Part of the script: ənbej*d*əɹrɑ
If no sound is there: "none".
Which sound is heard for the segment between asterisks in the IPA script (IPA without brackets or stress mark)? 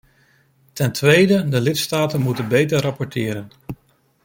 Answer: t